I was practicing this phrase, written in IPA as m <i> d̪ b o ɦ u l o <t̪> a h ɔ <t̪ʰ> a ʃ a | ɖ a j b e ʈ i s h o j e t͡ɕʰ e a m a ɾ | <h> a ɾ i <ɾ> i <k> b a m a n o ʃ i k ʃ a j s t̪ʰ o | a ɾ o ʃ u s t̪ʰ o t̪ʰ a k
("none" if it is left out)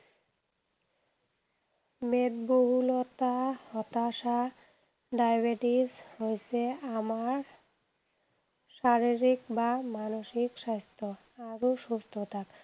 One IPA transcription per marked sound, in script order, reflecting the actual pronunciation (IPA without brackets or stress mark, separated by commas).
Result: e, t̪, t̪, ʃ, ɾ, k